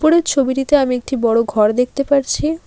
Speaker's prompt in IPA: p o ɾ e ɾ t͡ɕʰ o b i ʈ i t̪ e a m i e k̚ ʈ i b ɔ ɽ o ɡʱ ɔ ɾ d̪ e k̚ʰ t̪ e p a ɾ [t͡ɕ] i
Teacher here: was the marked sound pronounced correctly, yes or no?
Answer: no